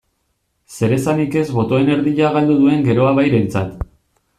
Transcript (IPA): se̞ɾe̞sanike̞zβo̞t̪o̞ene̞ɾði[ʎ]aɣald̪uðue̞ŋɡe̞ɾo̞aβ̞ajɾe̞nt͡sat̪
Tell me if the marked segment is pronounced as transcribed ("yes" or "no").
yes